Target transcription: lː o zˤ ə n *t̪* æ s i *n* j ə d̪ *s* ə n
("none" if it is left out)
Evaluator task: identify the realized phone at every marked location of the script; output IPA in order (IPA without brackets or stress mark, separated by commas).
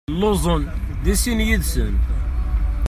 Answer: d̪, n, s